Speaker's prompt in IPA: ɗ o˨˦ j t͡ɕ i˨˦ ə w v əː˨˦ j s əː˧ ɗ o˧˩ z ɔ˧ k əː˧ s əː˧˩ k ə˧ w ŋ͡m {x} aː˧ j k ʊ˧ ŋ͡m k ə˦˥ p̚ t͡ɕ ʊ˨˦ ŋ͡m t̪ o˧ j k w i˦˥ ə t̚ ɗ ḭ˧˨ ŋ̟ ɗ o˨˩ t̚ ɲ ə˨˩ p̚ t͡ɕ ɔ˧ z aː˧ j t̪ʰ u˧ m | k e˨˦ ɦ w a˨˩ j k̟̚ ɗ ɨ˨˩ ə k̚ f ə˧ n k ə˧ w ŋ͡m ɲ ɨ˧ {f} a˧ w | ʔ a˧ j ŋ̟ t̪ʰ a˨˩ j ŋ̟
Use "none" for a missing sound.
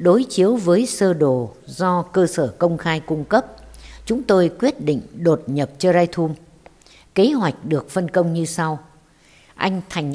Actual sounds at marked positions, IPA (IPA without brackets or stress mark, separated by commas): x, s